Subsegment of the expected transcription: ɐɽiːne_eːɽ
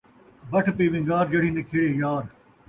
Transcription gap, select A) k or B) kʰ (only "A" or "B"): B